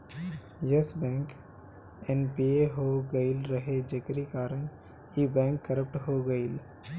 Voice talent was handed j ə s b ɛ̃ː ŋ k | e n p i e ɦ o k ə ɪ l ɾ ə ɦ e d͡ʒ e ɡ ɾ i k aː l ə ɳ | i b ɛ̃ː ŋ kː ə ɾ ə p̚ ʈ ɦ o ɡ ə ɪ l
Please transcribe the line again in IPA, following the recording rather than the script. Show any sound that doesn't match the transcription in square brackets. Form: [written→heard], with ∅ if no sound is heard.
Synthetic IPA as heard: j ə s b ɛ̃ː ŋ k | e n p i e ɦ o [k→ɡ] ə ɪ l ɾ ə ɦ e d͡ʒ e [ɡ→k] ɾ i k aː [l→ɾ] ə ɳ | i b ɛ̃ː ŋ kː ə ɾ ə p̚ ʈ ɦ o ɡ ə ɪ l